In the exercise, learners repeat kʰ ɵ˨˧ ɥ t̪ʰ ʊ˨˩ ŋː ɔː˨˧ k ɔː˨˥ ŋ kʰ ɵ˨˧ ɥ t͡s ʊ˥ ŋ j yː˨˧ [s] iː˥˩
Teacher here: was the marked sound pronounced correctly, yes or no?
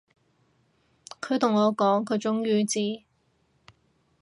no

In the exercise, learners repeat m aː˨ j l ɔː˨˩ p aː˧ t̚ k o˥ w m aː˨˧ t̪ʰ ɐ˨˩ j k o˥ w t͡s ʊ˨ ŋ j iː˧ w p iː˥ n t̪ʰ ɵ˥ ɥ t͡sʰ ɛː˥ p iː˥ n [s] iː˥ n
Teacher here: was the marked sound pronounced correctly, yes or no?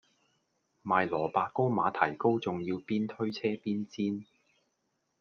no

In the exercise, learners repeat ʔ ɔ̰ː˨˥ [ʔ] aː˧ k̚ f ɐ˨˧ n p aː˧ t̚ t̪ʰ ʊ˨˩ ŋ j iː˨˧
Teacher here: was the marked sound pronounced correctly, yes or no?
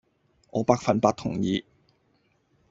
no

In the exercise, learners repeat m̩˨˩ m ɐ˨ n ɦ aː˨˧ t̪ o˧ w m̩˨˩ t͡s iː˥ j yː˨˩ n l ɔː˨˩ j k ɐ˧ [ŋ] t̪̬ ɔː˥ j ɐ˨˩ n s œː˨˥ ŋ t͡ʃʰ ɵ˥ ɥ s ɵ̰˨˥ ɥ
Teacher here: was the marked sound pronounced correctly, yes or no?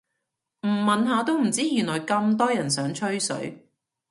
no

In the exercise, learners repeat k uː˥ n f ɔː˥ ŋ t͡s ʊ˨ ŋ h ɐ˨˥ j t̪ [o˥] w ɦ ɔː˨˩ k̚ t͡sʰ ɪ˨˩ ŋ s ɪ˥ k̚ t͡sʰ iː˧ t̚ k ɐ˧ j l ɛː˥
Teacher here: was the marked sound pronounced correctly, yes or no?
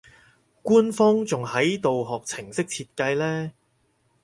no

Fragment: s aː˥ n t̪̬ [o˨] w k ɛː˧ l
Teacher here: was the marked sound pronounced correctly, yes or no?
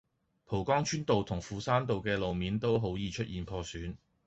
yes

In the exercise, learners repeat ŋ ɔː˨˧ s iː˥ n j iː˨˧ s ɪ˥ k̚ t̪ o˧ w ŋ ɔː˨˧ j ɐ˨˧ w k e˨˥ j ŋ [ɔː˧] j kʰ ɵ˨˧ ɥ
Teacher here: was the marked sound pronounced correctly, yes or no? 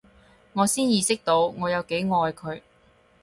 yes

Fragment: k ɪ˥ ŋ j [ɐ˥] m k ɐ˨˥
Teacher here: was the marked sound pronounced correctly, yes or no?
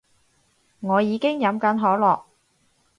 no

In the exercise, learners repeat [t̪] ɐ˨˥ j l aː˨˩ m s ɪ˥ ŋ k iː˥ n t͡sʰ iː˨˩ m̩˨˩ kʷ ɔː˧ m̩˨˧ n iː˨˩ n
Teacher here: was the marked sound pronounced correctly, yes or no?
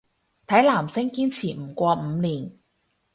no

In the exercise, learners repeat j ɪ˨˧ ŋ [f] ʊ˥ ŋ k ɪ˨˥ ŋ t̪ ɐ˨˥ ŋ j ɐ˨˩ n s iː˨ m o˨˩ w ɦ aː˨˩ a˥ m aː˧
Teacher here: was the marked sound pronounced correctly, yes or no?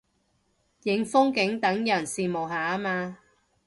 yes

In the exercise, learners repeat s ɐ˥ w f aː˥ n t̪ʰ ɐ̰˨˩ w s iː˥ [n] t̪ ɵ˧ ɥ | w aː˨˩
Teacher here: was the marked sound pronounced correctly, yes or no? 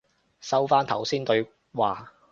yes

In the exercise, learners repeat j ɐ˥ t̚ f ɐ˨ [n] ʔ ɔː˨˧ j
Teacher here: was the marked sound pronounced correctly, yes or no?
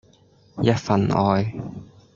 yes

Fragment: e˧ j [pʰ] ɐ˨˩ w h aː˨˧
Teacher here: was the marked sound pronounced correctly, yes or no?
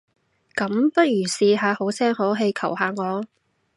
no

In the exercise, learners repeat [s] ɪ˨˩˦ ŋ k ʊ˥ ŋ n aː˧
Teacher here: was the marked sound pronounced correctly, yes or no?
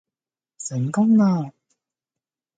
yes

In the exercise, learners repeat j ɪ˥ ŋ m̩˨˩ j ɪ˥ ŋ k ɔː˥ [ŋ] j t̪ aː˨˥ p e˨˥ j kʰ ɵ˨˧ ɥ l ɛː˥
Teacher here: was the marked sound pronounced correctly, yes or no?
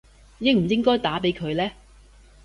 no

